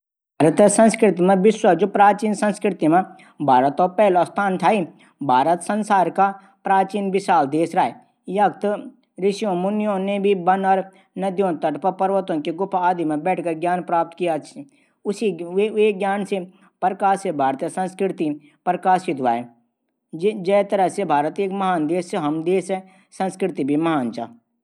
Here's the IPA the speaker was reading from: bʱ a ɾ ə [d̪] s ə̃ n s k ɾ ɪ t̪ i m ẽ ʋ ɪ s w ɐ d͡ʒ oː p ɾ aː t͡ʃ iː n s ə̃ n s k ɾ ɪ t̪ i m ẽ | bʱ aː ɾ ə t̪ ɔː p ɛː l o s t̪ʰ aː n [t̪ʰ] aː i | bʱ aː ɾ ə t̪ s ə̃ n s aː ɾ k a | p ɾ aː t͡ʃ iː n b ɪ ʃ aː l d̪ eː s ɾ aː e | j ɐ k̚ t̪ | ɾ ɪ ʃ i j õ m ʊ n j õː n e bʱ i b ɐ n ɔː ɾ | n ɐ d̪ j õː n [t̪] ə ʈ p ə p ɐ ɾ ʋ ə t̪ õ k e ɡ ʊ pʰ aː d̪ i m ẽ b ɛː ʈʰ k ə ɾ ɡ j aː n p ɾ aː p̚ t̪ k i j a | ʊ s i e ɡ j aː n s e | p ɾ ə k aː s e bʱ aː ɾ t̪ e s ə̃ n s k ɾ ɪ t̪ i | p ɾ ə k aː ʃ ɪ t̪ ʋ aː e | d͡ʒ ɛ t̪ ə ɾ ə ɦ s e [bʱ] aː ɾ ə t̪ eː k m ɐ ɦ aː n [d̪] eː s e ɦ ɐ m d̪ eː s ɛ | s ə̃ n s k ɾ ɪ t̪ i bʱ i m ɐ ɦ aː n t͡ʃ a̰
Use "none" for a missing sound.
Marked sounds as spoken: t̪, t̪ʰ, t̪, bʱ, d̪

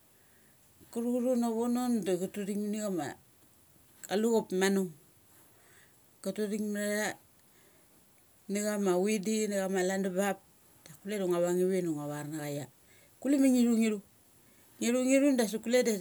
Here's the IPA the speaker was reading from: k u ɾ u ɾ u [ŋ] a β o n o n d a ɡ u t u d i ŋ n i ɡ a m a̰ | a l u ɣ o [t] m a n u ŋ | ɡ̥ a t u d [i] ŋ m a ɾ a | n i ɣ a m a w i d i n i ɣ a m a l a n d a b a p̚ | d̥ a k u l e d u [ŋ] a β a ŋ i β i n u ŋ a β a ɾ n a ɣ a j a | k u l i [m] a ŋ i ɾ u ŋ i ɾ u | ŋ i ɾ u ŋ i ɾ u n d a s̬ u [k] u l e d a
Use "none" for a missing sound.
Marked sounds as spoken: n, p, i, ŋ, m, k

